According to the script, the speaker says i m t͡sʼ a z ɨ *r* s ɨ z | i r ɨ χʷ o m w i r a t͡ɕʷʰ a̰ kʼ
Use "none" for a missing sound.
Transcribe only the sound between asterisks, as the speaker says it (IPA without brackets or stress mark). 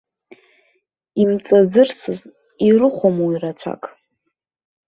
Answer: r